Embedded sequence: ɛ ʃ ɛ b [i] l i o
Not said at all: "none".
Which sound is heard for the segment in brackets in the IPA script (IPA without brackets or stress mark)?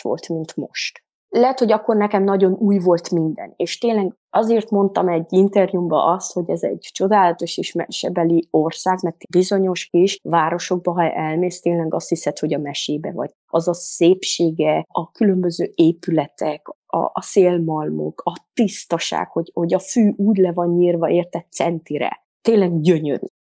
ɛ